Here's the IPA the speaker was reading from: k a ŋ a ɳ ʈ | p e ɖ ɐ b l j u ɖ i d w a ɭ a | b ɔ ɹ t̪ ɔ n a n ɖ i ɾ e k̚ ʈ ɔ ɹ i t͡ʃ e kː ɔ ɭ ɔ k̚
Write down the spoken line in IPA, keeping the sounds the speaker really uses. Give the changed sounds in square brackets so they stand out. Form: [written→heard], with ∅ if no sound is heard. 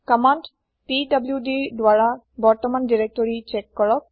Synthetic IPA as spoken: k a [ŋ→m] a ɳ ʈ | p [e→i] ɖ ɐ b l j u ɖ i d w a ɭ a | b ɔ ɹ t̪ ɔ [n→m] a n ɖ i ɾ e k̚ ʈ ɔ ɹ i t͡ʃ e kː ɔ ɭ ɔ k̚